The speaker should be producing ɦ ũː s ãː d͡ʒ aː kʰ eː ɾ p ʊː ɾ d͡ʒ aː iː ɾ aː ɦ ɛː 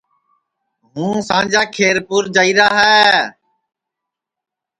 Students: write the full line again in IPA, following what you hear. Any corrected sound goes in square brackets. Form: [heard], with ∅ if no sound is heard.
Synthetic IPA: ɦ ũː s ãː d͡ʒ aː kʰ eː ɾ p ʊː ɾ d͡ʒ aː iː ɾ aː ɦ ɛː